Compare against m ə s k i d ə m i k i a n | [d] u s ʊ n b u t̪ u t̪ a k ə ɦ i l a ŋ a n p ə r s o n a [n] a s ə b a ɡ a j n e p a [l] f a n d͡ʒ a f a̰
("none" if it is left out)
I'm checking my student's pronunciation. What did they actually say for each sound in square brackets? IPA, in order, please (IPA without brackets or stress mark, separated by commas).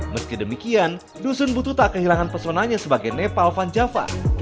d, ɲ, l